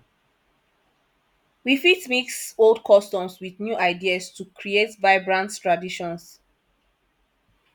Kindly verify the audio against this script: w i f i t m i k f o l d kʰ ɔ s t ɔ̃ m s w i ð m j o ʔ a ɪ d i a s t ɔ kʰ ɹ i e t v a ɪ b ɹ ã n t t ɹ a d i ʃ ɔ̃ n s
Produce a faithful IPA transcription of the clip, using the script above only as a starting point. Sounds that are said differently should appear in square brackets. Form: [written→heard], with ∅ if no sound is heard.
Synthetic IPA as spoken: w i f i t m i k [f→s] o l d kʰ ɔ s t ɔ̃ m s w i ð [m→n] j [o→u] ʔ a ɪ d i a s t [ɔ→u] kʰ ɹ i e t v a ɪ b ɹ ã n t t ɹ a d i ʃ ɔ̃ n s